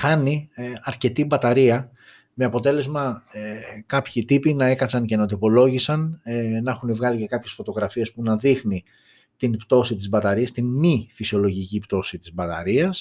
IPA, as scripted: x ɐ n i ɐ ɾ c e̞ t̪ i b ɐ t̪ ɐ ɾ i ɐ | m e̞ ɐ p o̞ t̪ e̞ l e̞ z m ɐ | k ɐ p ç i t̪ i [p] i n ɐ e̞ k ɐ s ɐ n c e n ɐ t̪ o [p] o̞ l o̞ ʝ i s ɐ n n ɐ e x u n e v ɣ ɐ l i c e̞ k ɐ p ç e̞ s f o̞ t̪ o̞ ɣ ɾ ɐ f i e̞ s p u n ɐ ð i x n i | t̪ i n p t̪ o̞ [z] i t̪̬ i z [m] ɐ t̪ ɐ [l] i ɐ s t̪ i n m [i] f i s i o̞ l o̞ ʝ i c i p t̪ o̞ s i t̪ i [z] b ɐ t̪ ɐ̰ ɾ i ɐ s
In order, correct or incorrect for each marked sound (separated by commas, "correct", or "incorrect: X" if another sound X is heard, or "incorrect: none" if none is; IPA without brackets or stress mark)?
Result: correct, correct, incorrect: s, incorrect: b, incorrect: ɾ, correct, correct